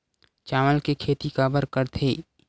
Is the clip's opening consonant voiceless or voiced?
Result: voiceless